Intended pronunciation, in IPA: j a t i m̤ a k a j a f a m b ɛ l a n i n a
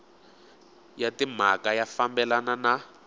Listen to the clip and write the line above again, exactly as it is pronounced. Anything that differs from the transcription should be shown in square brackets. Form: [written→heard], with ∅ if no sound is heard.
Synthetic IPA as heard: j a t i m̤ a k a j a f a m b ɛ l a n [i→a] n a